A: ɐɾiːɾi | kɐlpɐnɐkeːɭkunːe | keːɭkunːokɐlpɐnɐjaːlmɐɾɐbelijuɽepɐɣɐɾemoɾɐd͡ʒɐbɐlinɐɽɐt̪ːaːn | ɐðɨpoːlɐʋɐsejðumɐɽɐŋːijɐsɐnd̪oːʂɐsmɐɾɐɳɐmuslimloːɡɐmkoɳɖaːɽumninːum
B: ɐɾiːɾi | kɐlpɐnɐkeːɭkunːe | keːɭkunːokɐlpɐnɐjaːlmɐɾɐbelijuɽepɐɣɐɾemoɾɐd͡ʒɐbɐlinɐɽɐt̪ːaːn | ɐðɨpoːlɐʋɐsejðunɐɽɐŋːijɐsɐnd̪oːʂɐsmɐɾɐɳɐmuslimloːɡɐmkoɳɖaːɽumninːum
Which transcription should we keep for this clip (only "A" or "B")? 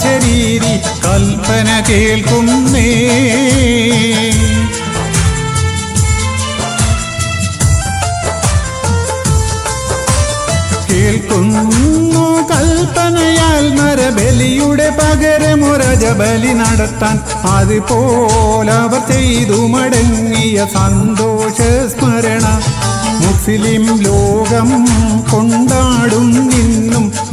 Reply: A